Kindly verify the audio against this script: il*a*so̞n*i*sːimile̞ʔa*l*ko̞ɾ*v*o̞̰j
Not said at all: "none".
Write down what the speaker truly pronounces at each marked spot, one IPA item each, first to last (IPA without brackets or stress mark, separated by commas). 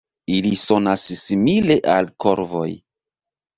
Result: i, a, l, v